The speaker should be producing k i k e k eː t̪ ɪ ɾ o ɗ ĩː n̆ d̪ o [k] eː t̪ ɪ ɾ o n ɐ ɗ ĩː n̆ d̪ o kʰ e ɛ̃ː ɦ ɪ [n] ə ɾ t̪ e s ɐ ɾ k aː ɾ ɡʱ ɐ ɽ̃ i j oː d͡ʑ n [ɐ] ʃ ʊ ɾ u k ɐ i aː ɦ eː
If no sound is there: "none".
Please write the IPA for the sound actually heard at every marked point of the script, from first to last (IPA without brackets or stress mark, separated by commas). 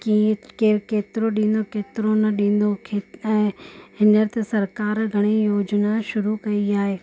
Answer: k, n, a